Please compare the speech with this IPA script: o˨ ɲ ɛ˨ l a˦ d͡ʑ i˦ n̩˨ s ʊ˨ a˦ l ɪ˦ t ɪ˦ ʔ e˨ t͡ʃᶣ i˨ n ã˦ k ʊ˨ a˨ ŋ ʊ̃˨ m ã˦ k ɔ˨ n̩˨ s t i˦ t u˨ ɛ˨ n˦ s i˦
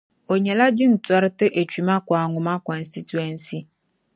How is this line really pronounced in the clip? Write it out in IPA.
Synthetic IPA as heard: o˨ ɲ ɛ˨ l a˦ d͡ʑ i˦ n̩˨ t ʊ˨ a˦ ɾ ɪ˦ t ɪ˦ ʔ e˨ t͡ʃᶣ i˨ m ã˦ k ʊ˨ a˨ ŋ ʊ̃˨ m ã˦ k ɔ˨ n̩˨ s t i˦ t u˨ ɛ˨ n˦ s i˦